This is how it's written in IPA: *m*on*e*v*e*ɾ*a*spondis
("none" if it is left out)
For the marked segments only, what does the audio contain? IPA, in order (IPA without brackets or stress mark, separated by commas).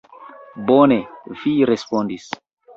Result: b, e, i, e